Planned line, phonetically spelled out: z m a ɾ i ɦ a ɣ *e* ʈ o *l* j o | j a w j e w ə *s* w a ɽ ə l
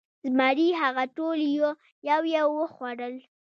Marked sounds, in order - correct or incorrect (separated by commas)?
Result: incorrect, correct, incorrect